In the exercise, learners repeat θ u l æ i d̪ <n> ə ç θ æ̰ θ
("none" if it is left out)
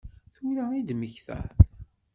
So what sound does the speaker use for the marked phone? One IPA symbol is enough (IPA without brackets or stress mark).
m